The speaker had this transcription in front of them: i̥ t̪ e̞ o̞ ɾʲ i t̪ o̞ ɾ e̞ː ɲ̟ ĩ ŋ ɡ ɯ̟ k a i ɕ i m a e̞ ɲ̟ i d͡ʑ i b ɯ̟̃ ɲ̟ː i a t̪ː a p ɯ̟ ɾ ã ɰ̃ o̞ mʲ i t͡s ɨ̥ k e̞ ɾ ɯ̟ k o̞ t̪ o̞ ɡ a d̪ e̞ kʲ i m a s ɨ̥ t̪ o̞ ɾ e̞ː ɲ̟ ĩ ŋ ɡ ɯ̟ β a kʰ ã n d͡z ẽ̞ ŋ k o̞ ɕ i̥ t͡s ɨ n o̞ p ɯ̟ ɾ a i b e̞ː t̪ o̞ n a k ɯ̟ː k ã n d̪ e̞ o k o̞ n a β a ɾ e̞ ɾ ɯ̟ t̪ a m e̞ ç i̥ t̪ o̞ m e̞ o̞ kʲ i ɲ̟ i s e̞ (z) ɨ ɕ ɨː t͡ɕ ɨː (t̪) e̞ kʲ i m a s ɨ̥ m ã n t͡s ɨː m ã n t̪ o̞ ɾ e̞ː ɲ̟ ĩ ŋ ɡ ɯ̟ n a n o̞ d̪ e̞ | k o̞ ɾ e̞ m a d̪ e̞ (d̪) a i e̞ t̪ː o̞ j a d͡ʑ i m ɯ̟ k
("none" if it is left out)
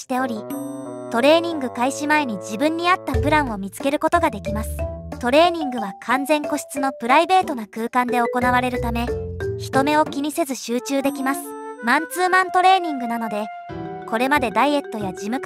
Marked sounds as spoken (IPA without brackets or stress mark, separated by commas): z, d̪, d̪